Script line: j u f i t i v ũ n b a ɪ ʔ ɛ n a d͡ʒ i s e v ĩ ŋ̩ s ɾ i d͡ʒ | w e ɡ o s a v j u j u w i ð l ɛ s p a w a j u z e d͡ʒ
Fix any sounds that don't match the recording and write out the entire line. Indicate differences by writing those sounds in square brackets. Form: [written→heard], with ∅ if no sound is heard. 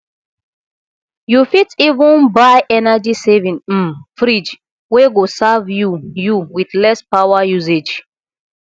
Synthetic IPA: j u f i t i v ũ n b a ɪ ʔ ɛ n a d͡ʒ i s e v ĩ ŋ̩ [s→f] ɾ i d͡ʒ | w e ɡ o s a v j u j u w i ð l ɛ s p a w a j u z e d͡ʒ